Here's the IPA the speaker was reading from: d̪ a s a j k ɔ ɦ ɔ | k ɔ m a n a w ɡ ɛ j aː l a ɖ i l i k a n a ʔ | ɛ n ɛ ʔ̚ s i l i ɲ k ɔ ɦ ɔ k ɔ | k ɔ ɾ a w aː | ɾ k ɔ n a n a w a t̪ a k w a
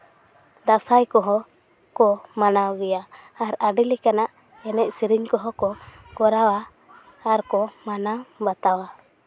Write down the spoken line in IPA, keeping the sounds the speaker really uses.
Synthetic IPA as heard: d̪ a s a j k ɔ ɦ ɔ | k ɔ m a n a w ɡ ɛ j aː ɾ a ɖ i l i k a n a ʔ | ɛ n ɛ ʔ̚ s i ɾ i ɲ k ɔ ɦ ɔ k ɔ | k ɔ ɾ a w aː | ɾ k ɔ m a n a b a t̪ a w a